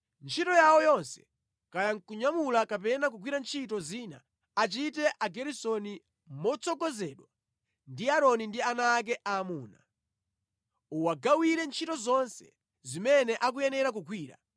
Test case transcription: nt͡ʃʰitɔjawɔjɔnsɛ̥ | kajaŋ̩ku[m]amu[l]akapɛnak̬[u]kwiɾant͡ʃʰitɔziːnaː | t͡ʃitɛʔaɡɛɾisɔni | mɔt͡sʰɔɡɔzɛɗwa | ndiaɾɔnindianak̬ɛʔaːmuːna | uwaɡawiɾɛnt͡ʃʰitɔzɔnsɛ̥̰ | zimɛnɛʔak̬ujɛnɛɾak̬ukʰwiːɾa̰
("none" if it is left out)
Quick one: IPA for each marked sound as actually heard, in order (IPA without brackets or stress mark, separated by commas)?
ɲ, l, u